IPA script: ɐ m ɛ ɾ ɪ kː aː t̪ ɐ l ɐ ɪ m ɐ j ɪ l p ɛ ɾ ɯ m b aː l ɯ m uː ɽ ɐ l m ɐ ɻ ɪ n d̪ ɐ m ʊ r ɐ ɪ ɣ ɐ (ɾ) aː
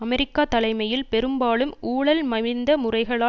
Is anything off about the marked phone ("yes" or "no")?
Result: yes